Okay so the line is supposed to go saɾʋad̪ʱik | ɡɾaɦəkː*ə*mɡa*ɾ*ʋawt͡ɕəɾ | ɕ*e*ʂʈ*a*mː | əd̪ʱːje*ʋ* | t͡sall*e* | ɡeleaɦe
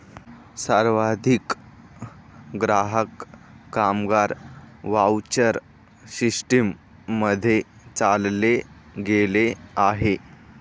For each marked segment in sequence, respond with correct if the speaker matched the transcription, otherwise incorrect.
incorrect: a, correct, incorrect: i, incorrect: i, incorrect: none, correct

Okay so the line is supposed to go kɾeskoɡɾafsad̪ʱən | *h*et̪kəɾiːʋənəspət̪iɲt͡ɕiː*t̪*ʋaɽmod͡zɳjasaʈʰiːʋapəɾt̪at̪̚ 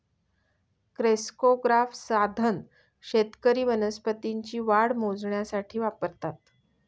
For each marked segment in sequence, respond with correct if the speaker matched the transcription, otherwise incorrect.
incorrect: ɕ, incorrect: none

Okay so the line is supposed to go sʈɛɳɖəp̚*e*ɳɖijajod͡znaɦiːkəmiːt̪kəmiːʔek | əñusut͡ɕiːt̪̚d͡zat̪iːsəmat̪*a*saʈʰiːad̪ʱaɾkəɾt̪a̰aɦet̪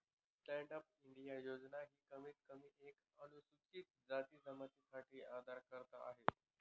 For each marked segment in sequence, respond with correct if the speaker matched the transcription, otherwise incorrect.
incorrect: i, incorrect: i

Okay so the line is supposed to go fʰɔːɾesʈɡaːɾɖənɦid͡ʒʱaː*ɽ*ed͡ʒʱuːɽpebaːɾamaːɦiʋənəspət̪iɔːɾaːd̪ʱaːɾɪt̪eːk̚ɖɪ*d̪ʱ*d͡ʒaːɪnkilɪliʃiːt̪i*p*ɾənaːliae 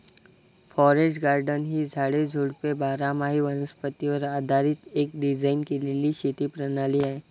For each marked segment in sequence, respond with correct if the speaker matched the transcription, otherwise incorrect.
correct, incorrect: none, correct

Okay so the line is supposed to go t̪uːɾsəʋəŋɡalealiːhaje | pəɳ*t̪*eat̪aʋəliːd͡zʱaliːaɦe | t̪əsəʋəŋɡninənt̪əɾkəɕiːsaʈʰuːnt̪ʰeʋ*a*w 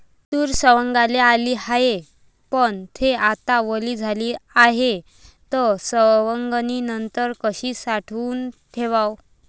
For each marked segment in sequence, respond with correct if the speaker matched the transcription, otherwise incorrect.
incorrect: t̪ʰ, correct

